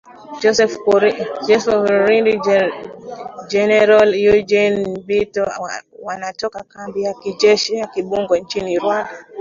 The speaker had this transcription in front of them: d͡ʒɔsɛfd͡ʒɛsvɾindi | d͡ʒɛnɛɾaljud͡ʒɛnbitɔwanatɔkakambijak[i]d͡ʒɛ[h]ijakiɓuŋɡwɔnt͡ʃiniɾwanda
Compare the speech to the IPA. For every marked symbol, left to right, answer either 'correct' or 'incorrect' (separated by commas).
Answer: correct, incorrect